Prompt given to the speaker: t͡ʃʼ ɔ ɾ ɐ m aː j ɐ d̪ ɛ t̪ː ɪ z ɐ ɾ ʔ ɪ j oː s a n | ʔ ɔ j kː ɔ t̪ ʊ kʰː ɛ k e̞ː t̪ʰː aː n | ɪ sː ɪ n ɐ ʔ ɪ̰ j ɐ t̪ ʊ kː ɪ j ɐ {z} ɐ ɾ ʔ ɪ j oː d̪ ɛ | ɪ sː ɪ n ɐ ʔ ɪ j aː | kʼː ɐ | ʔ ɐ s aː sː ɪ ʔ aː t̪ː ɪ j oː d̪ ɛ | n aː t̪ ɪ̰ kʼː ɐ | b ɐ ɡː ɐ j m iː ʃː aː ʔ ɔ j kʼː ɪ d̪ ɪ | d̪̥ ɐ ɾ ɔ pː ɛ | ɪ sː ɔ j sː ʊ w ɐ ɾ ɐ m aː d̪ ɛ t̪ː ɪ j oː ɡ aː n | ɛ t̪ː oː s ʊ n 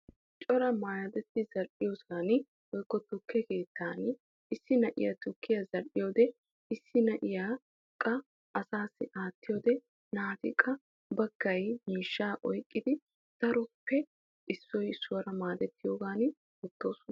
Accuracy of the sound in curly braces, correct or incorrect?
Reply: correct